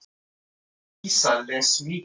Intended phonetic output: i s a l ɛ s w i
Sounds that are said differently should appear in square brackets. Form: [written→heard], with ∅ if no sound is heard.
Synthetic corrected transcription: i s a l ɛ s w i